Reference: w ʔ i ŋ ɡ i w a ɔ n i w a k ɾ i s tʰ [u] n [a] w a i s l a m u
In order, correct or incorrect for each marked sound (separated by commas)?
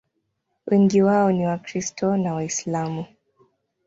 incorrect, correct